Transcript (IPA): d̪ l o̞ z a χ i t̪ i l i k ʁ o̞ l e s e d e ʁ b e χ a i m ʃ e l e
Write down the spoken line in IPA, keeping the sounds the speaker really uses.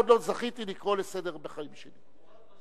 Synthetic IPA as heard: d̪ l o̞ z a χ i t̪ i l i k ʁ o̞ l e s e d e ʁ b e χ a i m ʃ e l i